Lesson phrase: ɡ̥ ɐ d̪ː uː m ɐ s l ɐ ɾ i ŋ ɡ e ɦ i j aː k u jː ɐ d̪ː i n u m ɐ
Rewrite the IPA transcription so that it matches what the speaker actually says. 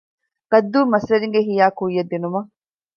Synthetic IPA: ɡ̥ ɐ d̪ː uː m ɐ s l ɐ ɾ i ŋ ɡ e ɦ i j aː k u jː ɐ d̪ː i n u m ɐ